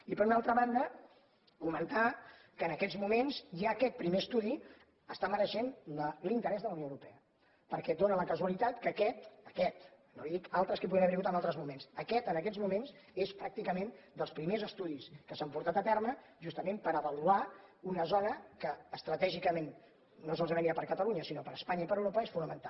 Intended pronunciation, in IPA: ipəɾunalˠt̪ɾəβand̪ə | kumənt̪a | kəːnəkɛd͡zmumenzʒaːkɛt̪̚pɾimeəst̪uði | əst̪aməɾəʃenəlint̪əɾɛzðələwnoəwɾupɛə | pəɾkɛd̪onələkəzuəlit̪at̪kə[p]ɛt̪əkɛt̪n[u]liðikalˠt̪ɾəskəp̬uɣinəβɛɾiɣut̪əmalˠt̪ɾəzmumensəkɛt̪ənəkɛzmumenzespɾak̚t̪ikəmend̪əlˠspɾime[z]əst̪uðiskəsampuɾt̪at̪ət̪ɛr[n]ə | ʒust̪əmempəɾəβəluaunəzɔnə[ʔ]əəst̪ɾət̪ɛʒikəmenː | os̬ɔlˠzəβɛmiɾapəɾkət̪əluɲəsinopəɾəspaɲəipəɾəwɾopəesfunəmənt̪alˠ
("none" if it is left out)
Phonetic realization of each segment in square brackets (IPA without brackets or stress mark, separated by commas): k, o, z, m, k